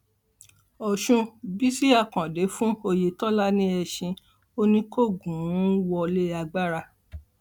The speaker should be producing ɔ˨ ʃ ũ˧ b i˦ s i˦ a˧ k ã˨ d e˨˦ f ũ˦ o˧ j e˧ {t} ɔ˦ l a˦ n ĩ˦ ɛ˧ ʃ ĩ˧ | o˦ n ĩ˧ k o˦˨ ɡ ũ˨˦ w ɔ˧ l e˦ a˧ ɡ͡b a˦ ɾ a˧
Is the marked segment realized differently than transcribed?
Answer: no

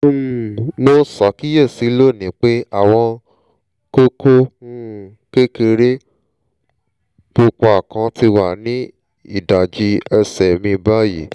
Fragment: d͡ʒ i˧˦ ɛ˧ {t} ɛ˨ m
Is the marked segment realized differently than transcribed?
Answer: yes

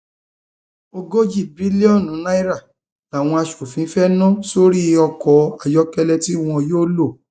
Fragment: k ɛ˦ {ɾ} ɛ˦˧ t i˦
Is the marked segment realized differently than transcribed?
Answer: yes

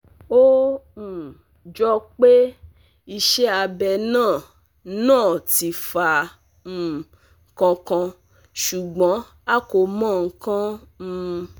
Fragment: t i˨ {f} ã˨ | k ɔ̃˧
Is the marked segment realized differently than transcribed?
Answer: no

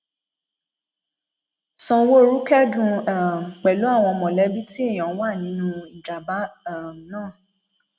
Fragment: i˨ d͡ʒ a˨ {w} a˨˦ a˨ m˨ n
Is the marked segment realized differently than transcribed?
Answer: yes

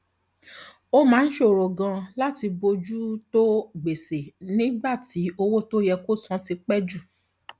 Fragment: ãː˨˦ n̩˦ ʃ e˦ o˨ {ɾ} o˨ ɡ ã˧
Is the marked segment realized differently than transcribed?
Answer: no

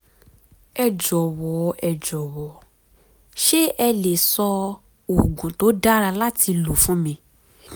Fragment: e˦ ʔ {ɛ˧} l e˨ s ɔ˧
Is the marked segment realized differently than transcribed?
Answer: no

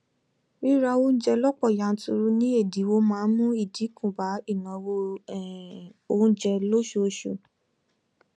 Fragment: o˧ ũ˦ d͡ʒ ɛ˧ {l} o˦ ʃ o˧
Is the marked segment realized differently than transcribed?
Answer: no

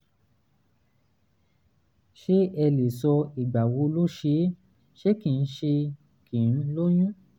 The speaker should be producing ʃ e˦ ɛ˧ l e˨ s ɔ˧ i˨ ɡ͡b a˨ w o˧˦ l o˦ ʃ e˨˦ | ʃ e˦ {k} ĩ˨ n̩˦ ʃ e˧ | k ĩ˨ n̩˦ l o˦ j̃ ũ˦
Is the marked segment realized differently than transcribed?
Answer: no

